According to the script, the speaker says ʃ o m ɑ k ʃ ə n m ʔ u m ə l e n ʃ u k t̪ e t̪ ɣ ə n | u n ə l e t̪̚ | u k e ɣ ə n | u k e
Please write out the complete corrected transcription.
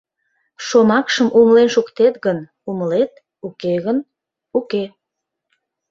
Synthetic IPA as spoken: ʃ o m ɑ k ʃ ə m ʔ u m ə l e n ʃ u k t̪ e t̪ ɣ ə n | u m ə l e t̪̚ | u k e ɣ ə n | u k e